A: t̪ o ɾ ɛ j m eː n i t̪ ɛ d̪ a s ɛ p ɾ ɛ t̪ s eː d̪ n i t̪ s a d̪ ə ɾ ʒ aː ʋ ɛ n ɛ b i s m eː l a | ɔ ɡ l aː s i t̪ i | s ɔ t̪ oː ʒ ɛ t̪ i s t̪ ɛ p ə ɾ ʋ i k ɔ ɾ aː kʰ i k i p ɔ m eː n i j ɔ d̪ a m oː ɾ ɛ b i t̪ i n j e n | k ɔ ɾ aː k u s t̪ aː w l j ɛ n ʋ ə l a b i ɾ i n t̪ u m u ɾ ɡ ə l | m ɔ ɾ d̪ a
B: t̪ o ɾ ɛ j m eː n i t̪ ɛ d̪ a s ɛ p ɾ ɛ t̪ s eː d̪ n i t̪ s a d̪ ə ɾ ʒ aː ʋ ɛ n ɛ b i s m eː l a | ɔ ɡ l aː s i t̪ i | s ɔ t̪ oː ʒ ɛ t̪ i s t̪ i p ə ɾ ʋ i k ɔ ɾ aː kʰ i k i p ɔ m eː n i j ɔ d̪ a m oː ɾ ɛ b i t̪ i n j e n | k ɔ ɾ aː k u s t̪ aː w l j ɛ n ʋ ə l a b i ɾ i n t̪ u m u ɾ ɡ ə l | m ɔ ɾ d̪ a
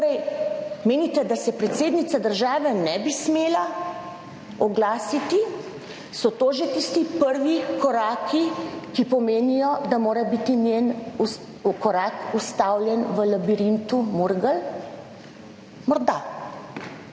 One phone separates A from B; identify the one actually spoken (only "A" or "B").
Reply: B